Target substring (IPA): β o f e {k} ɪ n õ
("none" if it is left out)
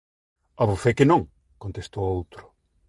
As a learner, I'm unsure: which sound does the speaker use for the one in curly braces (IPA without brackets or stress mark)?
k